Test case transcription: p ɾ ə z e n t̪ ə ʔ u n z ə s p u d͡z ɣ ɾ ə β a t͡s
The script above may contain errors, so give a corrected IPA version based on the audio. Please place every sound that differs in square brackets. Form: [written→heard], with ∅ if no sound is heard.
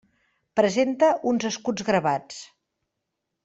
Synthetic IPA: p ɾ ə z e n t̪ ə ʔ u n z ə s [p→k] u d͡z ɣ ɾ ə β a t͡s